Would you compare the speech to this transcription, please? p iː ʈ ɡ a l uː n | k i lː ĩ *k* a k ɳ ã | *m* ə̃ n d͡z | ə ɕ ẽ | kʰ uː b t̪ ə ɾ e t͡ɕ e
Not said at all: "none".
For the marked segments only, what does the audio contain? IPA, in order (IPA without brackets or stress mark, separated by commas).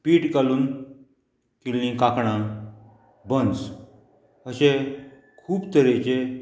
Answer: k, b